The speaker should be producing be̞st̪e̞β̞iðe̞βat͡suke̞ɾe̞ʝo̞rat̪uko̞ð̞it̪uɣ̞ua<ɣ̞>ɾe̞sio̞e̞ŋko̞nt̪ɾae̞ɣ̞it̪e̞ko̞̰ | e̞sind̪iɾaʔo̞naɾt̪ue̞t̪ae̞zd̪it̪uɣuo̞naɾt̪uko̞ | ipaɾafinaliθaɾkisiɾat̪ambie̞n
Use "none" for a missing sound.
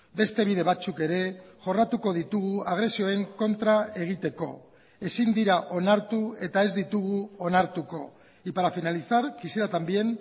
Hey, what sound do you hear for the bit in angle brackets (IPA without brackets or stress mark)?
ɣ̞